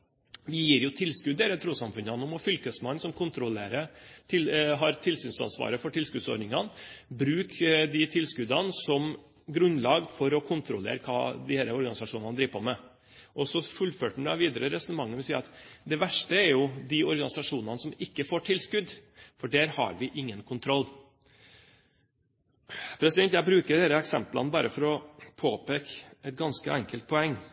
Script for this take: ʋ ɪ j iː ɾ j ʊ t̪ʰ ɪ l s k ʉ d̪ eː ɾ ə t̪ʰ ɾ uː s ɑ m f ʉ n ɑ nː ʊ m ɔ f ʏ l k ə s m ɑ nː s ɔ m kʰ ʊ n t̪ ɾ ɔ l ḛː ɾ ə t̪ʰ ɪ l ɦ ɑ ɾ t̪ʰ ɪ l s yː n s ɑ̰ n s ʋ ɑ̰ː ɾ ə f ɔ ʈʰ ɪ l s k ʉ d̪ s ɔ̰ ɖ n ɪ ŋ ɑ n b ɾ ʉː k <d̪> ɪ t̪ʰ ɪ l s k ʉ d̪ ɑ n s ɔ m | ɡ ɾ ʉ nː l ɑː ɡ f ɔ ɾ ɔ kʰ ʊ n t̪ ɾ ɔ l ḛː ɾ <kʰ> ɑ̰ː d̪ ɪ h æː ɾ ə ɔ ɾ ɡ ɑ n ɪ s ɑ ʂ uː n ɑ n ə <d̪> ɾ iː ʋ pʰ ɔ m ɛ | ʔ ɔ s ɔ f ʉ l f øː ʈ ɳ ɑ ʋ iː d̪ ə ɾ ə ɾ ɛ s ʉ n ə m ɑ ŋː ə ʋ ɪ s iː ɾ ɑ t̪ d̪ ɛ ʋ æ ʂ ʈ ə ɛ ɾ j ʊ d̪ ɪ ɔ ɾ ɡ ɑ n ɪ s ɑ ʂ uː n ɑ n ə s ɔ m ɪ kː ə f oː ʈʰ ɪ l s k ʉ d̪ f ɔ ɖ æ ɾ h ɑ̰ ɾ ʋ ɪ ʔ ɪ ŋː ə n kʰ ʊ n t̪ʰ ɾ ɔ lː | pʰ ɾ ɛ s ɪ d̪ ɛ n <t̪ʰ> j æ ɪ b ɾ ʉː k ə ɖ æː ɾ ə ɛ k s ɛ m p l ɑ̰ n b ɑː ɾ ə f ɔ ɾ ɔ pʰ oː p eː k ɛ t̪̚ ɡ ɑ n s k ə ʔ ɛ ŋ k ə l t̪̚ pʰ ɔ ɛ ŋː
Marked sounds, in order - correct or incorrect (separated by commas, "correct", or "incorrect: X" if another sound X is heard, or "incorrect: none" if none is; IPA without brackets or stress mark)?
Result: correct, correct, correct, incorrect: t̪